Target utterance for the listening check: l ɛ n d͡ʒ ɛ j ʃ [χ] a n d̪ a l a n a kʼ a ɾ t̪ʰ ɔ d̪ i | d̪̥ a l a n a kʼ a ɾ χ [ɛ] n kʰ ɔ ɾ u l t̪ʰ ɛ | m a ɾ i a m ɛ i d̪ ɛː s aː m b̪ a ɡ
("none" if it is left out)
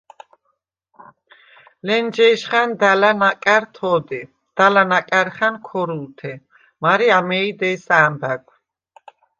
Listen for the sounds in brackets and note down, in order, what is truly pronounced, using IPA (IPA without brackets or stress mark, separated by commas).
χ, a